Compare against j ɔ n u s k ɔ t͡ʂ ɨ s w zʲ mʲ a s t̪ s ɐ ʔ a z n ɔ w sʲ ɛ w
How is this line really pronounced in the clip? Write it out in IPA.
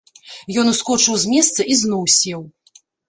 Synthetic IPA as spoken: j ɔ n u s k ɔ t͡ʂ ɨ w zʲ mʲ ɛ s t̪ s ɐ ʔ i z n ɔ w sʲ ɛ w